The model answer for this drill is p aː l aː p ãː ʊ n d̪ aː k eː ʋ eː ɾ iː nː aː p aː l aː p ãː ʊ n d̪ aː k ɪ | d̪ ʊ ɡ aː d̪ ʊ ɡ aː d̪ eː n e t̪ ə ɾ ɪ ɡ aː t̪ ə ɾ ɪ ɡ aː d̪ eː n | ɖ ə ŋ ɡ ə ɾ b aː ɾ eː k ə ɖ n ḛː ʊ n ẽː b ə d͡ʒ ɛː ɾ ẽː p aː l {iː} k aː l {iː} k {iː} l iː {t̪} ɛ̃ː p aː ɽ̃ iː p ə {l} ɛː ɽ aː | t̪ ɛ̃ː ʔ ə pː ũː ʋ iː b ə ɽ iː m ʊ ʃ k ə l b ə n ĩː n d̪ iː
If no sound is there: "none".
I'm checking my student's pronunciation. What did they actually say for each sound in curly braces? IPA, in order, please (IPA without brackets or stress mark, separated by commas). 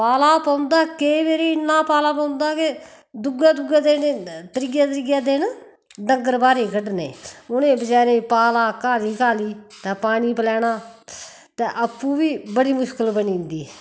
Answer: aː, iː, aː, t̪, l